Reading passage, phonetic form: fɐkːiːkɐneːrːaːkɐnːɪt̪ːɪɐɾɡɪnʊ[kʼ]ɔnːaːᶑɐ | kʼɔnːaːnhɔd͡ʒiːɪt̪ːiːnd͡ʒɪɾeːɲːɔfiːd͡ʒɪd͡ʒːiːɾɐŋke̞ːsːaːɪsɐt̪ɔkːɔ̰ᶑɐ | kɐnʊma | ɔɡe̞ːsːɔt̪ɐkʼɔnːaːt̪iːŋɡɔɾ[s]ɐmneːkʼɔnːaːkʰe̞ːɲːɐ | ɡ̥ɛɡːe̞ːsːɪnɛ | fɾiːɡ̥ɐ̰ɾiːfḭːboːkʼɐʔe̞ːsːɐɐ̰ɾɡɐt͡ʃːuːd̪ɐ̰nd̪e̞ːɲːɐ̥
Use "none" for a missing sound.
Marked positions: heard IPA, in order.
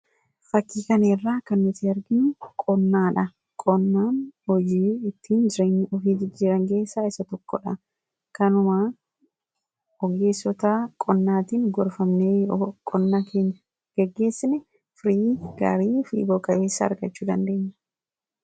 kʼ, f

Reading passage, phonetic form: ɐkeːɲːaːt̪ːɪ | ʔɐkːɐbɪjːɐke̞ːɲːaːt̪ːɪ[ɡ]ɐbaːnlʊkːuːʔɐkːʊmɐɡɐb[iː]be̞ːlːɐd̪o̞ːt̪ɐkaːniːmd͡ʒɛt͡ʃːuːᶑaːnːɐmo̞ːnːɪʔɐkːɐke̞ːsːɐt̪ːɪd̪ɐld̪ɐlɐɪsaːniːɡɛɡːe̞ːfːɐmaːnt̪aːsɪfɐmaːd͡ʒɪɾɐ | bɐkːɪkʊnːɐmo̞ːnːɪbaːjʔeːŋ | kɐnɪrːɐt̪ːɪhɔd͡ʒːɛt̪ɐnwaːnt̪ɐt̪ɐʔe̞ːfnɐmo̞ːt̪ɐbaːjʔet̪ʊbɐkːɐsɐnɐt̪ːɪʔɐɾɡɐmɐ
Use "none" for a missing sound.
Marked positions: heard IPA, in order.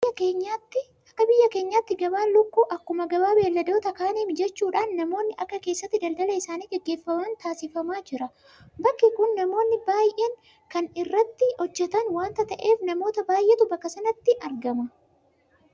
ɡ, aː

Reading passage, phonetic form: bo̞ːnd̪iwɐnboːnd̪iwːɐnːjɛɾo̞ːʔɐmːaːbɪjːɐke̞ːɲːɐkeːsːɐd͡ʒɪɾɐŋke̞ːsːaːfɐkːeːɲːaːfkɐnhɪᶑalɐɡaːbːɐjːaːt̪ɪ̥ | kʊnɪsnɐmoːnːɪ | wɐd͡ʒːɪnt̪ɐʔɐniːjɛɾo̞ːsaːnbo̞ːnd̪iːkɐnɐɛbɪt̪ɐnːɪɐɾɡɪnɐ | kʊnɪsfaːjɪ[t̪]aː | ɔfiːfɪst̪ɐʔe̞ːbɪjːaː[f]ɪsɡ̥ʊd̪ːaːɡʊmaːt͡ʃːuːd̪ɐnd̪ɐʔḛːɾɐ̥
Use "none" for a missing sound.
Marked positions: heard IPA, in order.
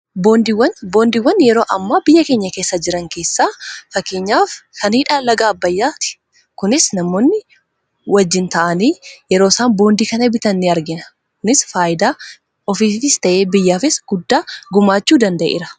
d̪, f

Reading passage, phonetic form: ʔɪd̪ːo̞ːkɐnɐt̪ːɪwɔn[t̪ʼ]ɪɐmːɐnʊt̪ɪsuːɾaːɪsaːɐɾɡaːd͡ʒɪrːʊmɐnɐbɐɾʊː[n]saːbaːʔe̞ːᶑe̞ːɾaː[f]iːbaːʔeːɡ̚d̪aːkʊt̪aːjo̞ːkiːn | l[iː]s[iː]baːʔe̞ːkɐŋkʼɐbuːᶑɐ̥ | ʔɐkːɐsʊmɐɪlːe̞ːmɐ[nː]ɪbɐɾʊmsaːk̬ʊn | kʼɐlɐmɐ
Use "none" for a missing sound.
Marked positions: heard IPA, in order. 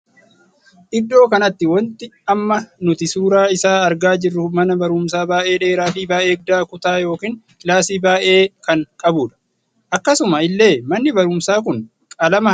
t̪, m, f, aː, iː, nː

